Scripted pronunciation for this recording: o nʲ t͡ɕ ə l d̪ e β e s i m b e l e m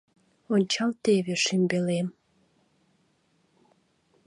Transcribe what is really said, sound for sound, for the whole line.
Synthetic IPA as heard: o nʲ t͡ɕ ɑ l t̪ e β e ʃ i m b e l e m